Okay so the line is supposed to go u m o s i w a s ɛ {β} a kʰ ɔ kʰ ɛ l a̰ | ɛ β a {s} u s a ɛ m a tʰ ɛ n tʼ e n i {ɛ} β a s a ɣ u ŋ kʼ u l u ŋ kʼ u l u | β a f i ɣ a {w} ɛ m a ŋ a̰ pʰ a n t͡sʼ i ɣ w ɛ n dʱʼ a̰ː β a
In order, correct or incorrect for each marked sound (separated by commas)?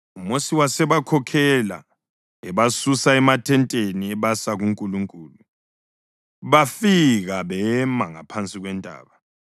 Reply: correct, correct, correct, incorrect